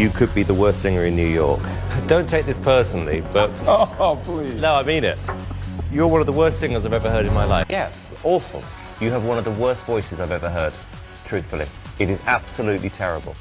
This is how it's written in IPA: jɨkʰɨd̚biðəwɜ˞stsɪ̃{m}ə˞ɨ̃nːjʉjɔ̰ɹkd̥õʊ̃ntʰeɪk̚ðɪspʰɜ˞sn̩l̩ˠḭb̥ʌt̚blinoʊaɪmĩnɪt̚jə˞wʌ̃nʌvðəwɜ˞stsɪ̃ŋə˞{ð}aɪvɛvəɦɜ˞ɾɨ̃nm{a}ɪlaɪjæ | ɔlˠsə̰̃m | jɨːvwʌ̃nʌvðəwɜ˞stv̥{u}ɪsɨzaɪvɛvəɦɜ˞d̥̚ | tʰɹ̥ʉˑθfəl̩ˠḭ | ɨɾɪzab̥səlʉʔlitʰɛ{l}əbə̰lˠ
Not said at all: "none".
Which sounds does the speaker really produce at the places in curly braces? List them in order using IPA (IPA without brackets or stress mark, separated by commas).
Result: ŋ, z, a, ɔ, ɹ